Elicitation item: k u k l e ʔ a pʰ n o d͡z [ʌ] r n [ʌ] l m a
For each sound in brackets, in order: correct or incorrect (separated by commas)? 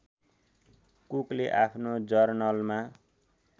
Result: correct, correct